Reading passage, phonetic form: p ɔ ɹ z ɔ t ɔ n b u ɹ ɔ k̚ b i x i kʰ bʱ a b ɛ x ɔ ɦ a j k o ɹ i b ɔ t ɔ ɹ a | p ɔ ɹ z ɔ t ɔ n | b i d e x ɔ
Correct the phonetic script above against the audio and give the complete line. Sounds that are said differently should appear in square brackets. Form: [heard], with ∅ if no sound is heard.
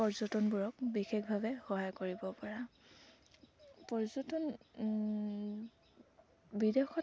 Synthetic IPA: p ɔ ɹ z ɔ t ɔ n b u ɹ ɔ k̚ b i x [e] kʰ bʱ a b ɛ x ɔ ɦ a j k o ɹ i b ɔ [p] ɔ ɹ a | p ɔ ɹ z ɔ t ɔ n | b i d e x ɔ

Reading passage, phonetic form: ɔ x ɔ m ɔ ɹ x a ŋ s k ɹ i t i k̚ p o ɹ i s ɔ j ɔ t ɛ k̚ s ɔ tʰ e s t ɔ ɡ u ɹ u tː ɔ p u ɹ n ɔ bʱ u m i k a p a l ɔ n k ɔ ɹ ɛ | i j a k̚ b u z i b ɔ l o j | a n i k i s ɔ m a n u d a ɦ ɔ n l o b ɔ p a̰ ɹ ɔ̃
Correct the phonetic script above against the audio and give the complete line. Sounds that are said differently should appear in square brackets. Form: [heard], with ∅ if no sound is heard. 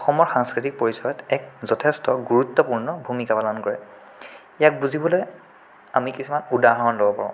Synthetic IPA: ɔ x ɔ m ɔ ɹ x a ŋ s k ɹ i t i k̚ p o ɹ i s ɔ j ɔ t ɛ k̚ [z] ɔ tʰ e s t ɔ ɡ u ɹ u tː ɔ p u ɹ n ɔ bʱ u m i k a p a l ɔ n k ɔ ɹ ɛ | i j a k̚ b u z i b ɔ l o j | a [m] i k i s [u] m a n u d a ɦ ɔ n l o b ɔ p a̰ ɹ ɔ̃

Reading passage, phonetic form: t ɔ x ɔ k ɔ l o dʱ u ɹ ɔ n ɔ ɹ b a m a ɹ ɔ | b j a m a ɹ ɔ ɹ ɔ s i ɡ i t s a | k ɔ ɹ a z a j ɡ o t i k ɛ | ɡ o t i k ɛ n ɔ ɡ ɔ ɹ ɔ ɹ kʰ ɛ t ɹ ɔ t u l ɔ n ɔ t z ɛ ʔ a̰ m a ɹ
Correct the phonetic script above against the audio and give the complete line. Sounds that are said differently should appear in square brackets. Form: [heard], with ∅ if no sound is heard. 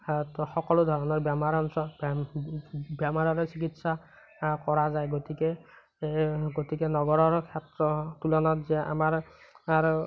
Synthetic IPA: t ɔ x ɔ k ɔ l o dʱ [ɔ] ɹ ɔ n ɔ ɹ b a m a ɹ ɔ | b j a m a ɹ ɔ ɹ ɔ s i [k] i t s a | k ɔ ɹ a z a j ɡ o t i k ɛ | ɡ o t i k ɛ n ɔ ɡ ɔ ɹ ɔ ɹ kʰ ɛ t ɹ ɔ t u l ɔ n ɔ t z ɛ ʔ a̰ m a ɹ

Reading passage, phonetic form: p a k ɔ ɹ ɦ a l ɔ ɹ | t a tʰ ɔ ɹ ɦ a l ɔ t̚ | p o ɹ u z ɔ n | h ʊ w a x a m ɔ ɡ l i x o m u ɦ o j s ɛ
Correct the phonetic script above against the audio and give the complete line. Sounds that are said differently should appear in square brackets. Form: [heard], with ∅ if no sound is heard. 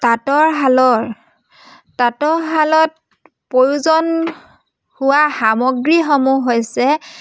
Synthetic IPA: [t] a [t] ɔ ɹ ɦ a l ɔ ɹ | t a [t] ɔ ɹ ɦ a l ɔ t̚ | p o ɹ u z ɔ n | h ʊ w a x a m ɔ ɡ [ɹ] i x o m u ɦ o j s ɛ

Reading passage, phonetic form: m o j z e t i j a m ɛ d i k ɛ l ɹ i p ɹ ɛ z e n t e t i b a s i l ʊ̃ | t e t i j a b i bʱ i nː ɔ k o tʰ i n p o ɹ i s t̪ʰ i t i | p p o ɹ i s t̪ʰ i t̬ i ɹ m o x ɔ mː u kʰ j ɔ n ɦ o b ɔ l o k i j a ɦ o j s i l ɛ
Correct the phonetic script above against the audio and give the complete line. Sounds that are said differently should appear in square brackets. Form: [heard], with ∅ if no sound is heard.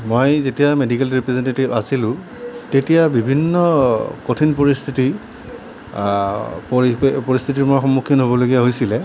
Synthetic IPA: m o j z e t i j a m [e] d i k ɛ l ɹ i p ɹ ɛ z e n t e t i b a s i l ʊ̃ | t e t i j a b i bʱ i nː ɔ k o tʰ i n p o ɹ i s t̪ʰ i t i | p p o ɹ i s t̪ʰ i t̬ i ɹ m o x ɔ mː u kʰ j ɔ n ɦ o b ɔ l o [ɡ] i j a ɦ o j s i l ɛ

